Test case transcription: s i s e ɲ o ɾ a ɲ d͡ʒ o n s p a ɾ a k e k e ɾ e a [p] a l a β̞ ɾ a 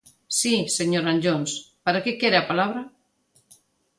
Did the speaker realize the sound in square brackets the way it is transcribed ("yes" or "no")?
yes